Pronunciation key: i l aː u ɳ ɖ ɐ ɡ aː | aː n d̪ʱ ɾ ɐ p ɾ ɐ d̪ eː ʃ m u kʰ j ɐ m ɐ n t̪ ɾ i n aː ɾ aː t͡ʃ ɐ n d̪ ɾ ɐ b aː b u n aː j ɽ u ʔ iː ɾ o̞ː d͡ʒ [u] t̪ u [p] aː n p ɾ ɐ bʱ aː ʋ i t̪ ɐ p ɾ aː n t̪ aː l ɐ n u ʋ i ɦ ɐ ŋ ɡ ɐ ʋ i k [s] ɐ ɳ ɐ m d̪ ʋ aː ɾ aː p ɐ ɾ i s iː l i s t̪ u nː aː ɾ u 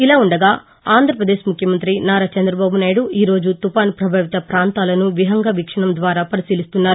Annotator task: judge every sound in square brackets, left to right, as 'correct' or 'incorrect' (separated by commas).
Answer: correct, correct, incorrect